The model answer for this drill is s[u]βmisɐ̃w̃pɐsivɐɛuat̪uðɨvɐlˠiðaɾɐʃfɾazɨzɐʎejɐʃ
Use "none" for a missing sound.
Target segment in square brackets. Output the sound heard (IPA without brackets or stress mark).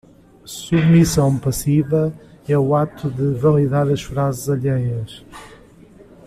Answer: u